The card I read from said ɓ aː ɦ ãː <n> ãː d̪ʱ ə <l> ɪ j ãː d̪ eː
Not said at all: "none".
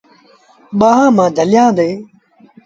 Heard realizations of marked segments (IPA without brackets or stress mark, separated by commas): m, l